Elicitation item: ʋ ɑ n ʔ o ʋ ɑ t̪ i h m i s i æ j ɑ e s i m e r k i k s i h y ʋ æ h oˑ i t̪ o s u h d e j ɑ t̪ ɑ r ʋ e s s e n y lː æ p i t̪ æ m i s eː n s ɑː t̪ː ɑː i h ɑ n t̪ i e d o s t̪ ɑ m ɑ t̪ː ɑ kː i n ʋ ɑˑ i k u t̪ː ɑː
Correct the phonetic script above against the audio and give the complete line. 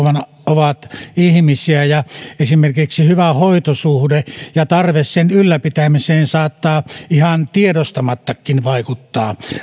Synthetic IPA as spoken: ʋ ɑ n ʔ o ʋ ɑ t̪ i h m i s i æ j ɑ e s i m e r k i k s i h y ʋ æ h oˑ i t̪ o s u h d e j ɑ t̪ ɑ r ʋ e s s e n y lː æ p i t̪ æ m i s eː n s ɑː t̪ː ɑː i h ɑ n t̪ i e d o s t̪ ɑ m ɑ t̪ː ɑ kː i n ʋ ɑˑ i k u t̪ː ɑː